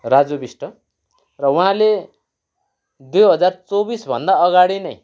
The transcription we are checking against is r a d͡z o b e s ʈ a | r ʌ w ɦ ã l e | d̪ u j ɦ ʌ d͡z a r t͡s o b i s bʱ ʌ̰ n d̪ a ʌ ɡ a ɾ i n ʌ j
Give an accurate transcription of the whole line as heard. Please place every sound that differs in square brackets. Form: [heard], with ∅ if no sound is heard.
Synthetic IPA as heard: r a d͡z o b [i] s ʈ [ʌ] | r ʌ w ɦ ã l e | d̪ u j ɦ ʌ d͡z a r t͡s o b i s bʱ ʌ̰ n d̪ a ʌ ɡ a [ɽ] i n ʌ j